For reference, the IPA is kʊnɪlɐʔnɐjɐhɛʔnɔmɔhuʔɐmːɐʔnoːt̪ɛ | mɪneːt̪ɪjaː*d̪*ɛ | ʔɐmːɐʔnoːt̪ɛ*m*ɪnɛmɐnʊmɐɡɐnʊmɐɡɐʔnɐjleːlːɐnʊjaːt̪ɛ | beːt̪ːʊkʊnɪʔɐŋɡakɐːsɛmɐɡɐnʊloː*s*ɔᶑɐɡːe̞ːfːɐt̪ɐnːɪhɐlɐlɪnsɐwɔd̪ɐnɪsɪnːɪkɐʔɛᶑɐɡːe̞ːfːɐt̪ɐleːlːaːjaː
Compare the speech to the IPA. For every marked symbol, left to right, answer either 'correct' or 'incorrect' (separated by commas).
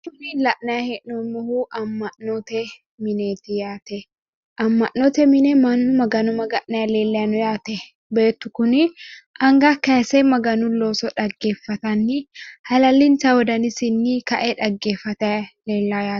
incorrect, correct, correct